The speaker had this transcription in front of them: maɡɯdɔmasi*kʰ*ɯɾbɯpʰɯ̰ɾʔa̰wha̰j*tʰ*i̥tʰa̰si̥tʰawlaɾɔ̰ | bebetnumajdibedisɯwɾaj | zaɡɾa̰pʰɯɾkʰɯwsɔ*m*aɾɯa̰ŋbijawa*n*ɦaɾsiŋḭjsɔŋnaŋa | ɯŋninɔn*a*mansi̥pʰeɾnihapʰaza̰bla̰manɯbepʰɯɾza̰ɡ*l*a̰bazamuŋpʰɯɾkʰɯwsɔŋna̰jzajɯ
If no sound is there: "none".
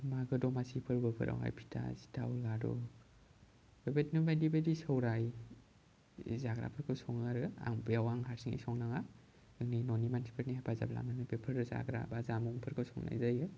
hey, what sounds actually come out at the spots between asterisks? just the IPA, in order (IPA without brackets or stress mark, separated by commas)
pʰ, pʰ, ŋ, ŋ, i, ɾ